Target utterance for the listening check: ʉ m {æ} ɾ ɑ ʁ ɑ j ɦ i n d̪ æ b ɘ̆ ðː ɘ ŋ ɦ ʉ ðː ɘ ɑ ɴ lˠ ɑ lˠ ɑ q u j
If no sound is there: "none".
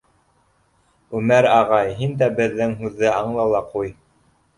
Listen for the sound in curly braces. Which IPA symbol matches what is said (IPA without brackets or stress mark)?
æ